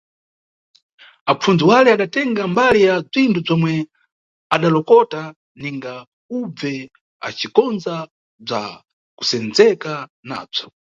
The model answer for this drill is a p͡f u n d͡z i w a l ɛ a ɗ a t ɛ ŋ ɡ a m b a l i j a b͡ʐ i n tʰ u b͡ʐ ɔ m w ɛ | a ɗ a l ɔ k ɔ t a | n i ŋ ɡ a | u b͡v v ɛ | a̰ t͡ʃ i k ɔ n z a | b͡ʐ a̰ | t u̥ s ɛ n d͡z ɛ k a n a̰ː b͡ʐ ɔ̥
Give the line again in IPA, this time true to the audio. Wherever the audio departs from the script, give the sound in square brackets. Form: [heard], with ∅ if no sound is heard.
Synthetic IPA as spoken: a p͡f u n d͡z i w a l ɛ a ɗ a t ɛ ŋ ɡ a m b a l i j a b͡ʐ i n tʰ u b͡ʐ ɔ m w ɛ | a ɗ a l ɔ k ɔ t a | n i ŋ ɡ a | u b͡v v ɛ | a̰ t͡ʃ i k ɔ n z a | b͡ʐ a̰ | [k] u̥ s ɛ n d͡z ɛ k a n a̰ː b͡ʐ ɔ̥

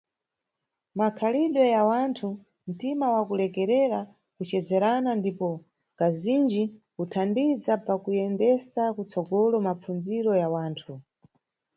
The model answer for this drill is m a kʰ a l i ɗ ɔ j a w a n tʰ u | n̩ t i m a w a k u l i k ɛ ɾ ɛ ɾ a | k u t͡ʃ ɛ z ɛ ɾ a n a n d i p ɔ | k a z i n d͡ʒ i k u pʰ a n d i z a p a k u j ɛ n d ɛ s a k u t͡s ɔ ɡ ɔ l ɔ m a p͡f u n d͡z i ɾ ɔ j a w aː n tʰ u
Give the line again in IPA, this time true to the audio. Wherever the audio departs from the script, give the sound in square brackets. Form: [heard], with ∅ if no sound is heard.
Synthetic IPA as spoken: m a kʰ a l i ɗ ɔ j a w a n tʰ u | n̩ t i m a w a k u l [ɛ] k ɛ ɾ ɛ ɾ a | k u t͡ʃ ɛ z ɛ ɾ a n a n d i p ɔ | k a z i n d͡ʒ i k u [tʰ] a n d i z a p a k u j ɛ n d ɛ s a k u t͡s ɔ ɡ ɔ l ɔ m a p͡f u n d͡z i ɾ ɔ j a w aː n tʰ u

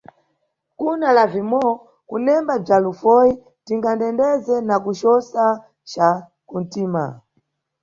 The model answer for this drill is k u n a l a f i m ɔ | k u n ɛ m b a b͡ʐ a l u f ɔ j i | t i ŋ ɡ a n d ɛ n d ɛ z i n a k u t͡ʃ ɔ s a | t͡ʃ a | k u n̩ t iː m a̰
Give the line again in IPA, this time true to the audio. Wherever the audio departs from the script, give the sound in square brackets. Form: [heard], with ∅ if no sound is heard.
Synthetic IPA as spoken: k u n a l a [v] i m ɔ | k u n ɛ m b a b͡ʐ a l u f ɔ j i | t i ŋ ɡ a n d ɛ n d ɛ z [ɛ] n a k u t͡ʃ ɔ s a | t͡ʃ a | k u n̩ t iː m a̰

